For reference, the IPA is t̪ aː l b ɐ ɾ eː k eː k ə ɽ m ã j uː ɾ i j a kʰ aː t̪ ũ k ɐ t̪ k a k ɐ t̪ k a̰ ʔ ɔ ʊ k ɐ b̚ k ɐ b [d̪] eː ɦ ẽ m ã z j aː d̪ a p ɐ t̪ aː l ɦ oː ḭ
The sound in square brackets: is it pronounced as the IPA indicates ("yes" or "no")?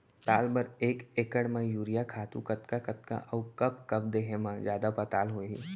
yes